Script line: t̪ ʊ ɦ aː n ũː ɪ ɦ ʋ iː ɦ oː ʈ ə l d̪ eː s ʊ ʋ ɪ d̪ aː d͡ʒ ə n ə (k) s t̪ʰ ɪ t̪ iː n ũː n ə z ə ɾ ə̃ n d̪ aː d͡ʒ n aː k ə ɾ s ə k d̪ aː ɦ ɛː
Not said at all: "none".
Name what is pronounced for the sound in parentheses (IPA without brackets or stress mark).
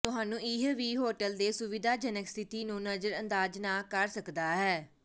k